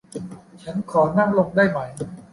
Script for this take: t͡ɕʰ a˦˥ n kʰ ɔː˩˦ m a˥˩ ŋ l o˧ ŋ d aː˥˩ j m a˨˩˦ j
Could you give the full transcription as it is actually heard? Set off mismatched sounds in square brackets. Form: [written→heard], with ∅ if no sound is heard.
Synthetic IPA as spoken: t͡ɕʰ a˦˥ n kʰ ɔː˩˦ [m→n] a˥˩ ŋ l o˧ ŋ d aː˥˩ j m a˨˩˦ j